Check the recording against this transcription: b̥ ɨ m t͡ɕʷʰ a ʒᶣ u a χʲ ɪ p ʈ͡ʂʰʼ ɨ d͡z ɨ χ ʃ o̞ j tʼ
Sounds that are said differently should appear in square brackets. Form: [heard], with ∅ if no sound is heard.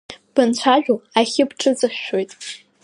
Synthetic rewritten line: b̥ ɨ [n] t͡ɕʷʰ a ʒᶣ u a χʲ ɪ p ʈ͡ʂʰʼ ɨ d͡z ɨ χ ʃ o̞ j tʼ